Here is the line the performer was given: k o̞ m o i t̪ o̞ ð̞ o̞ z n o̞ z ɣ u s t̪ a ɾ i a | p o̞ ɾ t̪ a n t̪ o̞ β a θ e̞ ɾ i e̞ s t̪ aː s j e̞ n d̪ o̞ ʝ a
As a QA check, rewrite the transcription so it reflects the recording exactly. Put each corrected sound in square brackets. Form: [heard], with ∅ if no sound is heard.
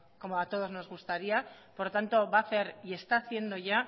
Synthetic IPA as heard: k o̞ m o [a] t̪ o̞ ð̞ o̞ z n o̞ z ɣ u s t̪ a ɾ i a | p o̞ ɾ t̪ a n t̪ o̞ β a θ e̞ ɾ i e̞ s t̪ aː [θ] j e̞ n d̪ o̞ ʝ a